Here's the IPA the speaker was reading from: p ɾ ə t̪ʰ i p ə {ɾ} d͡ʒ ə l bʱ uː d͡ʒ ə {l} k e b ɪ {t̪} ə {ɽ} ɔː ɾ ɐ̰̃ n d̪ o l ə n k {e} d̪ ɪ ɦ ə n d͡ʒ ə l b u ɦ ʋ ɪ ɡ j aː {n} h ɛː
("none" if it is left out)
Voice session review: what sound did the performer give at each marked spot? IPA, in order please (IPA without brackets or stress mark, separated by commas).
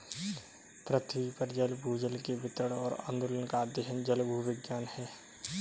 ɾ, l, t̪, ɽ, a, n